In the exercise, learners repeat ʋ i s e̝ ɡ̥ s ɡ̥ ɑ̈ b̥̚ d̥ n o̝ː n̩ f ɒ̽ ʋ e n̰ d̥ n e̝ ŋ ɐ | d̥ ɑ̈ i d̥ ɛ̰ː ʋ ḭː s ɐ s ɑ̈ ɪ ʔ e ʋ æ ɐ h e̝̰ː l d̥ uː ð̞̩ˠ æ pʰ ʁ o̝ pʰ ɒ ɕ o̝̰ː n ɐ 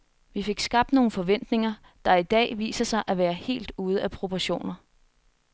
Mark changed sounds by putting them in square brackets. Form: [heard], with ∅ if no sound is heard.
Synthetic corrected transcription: ʋ i [f] e̝ ɡ̥ s ɡ̥ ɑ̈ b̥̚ d̥ n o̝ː n̩ f ɒ̽ ʋ e n̰ d̥ n e̝ ŋ ɐ | d̥ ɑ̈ i d̥ ɛ̰ː ʋ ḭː s ɐ s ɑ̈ ɪ ʔ [æ] ʋ [æː] ɐ h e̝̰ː l d̥ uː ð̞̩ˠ æ pʰ ʁ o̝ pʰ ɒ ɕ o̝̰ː n ɐ